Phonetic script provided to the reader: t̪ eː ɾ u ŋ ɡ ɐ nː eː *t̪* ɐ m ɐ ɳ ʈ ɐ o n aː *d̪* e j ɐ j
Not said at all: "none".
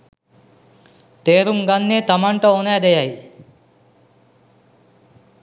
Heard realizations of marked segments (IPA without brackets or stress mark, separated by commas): t̪, d̪